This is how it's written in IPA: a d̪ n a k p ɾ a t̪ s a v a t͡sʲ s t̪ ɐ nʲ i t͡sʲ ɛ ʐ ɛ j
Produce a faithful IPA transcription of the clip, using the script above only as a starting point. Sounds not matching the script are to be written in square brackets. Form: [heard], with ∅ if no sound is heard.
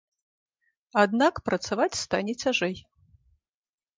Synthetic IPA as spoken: a d̪ n a k p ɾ [ɐ] t̪ s a v a t͡sʲ s t̪ [a] nʲ [ɛ] t͡sʲ [a] ʐ ɛ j